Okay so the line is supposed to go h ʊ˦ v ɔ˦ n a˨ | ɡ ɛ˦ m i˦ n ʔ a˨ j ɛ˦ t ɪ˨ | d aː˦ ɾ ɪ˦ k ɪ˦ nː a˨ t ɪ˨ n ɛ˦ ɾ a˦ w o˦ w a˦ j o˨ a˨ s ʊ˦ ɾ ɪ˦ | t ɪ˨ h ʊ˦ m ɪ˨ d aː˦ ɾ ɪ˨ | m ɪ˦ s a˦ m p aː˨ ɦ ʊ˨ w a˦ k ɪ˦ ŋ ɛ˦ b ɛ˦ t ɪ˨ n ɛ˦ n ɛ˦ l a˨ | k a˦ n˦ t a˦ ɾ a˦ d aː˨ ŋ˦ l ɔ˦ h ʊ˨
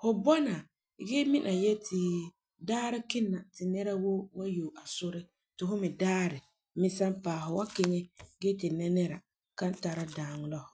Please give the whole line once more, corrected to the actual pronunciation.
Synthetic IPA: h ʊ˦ b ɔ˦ n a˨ | ɡ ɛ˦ m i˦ n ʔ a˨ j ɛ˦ t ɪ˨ | d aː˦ ɾ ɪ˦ k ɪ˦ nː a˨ t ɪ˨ n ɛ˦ ɾ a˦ w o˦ w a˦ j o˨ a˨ s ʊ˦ ɾ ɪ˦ | t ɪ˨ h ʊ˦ m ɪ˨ d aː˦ ɾ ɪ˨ | m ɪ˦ s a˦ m p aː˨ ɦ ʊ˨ w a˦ k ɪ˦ ŋ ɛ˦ ɡ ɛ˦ t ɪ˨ n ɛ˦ n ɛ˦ ɾ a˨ | k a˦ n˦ t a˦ ɾ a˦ d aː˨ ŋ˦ l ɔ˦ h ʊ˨